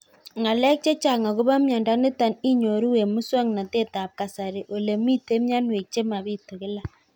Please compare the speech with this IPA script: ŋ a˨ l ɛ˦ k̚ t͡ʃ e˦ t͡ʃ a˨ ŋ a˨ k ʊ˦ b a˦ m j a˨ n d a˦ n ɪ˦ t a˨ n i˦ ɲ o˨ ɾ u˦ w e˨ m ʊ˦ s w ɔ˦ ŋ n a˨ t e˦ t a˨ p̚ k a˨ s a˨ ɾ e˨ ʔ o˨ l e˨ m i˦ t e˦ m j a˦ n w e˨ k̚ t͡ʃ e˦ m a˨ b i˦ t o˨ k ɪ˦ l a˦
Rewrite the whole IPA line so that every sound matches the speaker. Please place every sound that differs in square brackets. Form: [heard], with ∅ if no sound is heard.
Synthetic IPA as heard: ŋ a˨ l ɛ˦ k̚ t͡ʃ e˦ t͡ʃ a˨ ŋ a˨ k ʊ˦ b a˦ m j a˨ n d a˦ n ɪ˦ t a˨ n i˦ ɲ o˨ ɾ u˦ w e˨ m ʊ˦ s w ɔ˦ ŋ n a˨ t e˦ t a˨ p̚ k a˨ s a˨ ɾ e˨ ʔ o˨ l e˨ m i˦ t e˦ m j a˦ n w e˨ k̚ t͡ʃ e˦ m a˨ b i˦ t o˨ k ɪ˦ l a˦

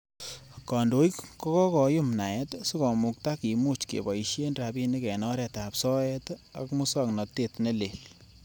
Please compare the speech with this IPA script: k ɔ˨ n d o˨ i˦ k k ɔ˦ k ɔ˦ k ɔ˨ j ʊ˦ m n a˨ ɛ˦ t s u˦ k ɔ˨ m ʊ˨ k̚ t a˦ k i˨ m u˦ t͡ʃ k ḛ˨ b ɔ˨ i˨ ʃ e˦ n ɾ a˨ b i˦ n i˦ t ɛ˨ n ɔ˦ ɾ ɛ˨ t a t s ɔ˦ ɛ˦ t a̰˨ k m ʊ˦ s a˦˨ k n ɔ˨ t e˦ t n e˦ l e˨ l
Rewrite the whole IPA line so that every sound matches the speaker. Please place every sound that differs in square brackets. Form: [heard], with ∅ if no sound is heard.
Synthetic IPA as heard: k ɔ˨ n d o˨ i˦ k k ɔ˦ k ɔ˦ k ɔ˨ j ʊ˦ m n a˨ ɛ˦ t s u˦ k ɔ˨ m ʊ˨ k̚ t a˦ k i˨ m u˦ t͡ʃ k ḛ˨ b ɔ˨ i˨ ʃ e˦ n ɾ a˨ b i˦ n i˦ [k] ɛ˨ n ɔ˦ ɾ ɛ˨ t a [p] s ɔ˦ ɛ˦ t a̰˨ k m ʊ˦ s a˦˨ k n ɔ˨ t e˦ t n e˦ l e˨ l

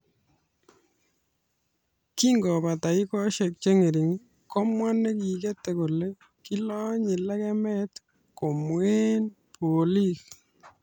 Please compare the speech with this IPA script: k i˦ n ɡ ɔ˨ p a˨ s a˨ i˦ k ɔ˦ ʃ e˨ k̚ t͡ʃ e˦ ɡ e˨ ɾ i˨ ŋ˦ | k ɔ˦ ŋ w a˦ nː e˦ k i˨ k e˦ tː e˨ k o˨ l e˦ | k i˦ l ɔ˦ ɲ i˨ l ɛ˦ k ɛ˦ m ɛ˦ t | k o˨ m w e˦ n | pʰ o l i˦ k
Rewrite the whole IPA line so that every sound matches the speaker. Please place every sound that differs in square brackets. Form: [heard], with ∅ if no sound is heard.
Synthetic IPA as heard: k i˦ [ŋ] ɡ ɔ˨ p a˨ [t] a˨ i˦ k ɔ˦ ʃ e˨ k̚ t͡ʃ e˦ [ŋ] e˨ ɾ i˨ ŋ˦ | k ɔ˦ [m] w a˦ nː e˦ k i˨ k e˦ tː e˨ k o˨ l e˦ | k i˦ l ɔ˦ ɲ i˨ l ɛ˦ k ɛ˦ m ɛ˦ t | k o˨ m w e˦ n | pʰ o l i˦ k

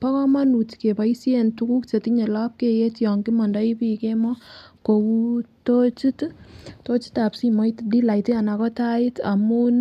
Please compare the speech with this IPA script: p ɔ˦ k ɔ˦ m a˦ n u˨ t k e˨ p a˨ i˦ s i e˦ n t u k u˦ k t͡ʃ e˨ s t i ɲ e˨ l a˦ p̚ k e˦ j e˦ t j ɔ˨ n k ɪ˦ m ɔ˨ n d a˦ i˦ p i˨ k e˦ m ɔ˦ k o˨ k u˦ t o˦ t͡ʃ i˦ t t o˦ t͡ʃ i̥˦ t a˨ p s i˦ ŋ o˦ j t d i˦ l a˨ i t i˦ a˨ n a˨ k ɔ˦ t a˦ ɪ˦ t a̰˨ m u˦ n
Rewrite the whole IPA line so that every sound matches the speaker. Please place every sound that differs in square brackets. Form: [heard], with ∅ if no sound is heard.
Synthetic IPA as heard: p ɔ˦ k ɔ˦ m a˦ n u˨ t k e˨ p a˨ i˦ s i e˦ n t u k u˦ k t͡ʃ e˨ [∅] t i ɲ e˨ l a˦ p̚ k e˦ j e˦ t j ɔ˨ [ŋ] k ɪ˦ m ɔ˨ n d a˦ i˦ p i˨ k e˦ m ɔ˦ k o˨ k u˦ t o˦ t͡ʃ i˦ t t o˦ t͡ʃ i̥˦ t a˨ p s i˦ [m] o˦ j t d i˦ l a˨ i t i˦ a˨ n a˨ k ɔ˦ t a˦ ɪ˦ t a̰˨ m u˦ n

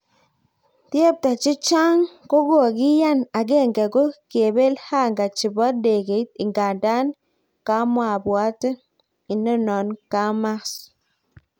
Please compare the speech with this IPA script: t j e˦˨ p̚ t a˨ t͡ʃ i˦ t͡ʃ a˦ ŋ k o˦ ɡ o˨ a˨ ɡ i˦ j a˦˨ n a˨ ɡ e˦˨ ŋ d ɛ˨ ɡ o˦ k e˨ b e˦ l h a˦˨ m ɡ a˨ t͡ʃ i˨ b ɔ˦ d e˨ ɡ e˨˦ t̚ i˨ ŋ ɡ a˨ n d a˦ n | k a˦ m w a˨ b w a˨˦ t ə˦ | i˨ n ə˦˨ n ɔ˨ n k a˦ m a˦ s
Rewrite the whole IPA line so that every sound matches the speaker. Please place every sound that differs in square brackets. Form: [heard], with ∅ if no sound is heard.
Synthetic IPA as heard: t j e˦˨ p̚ t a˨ t͡ʃ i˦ t͡ʃ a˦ ŋ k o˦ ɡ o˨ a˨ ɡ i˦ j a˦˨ n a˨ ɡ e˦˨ ŋ [ɡ] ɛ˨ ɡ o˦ k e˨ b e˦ l h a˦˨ [ŋ] ɡ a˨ t͡ʃ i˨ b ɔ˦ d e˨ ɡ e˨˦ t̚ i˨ ŋ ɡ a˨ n d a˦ n | k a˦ m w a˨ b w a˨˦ t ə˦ | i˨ n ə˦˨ n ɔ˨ n k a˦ m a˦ s

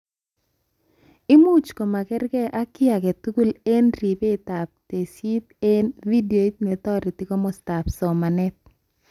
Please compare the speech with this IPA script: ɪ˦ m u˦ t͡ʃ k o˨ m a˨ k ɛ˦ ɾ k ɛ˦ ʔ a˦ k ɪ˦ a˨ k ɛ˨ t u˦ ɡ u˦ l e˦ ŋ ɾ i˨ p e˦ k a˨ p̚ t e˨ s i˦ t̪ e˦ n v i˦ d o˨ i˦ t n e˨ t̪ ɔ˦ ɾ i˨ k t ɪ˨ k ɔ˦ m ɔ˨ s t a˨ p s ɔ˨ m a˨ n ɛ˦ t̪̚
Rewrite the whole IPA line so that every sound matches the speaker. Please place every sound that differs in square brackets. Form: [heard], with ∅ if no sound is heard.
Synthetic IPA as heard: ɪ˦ m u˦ t͡ʃ k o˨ m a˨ k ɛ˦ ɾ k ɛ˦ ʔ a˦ k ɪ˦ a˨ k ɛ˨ t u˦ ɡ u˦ l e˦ [n] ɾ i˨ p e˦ [t] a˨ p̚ t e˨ s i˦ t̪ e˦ n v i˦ d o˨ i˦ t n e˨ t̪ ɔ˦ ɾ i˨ [∅] t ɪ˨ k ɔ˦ m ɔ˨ s t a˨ p s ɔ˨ m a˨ n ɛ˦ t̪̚

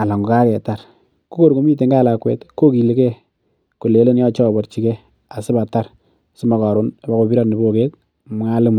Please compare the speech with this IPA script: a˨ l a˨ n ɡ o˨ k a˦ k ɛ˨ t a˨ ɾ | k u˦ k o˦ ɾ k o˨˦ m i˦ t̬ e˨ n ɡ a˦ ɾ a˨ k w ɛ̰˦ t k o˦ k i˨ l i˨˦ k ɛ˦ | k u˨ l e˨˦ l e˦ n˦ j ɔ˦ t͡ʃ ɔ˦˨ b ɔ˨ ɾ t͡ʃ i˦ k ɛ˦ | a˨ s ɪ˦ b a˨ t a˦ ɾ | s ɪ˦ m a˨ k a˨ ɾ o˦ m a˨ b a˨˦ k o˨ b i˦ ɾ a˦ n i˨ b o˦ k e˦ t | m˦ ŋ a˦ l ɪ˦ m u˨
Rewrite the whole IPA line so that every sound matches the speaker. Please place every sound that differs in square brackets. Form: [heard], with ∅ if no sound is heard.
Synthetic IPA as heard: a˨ l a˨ [ŋ] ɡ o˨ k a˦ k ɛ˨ t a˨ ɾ | k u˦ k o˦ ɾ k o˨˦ m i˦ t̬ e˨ [ŋ] ɡ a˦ [l] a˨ k w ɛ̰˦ t k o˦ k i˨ l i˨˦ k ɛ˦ | k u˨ l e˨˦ l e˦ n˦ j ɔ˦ t͡ʃ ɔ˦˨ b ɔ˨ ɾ t͡ʃ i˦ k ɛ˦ | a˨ s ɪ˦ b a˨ t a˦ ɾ | s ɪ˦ m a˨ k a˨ ɾ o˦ [n] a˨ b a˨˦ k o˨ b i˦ ɾ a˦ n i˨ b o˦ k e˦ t | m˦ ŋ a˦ l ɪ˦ m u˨

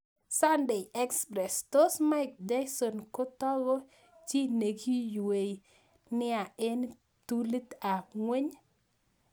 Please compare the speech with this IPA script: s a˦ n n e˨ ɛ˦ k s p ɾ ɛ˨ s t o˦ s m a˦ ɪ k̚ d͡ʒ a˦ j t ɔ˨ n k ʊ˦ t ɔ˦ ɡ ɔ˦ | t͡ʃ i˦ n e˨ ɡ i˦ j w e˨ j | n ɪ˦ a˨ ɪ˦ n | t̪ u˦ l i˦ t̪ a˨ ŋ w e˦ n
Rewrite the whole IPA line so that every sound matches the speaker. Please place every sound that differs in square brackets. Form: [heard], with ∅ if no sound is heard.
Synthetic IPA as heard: s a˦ n [d] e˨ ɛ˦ k s p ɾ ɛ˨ s t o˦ s m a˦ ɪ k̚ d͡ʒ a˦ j [s] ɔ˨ n k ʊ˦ t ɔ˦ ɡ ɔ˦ | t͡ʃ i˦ n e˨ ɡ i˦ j w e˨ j | n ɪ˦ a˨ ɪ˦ n | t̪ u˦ l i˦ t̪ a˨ ŋ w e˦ [ɲ]

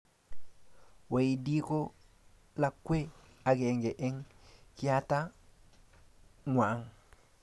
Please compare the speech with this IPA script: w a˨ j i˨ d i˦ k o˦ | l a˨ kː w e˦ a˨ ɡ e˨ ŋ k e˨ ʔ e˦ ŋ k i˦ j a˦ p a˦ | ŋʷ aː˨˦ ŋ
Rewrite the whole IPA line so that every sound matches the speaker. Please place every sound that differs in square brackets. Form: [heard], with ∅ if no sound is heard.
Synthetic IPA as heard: w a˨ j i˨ d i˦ k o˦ | l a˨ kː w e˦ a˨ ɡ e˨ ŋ [ɡ] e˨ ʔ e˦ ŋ k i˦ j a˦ [t] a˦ | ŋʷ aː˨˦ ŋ

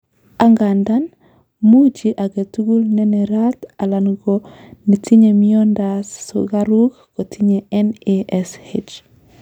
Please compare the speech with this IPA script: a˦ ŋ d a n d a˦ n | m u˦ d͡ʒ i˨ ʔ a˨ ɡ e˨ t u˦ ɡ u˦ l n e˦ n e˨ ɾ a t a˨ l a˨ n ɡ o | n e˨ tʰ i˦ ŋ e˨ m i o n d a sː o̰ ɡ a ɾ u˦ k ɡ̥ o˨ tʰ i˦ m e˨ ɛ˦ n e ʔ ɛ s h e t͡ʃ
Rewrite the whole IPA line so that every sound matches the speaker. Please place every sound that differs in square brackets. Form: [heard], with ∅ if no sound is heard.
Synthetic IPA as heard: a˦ ŋ [ɡ] a n d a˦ n | m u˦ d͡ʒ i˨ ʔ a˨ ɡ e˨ t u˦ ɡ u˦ l n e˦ n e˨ ɾ a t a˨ l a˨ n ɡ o | n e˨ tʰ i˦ [ɲ] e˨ m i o n d a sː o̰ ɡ a ɾ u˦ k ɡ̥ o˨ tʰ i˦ [ɲ] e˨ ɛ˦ n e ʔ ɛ s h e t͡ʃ

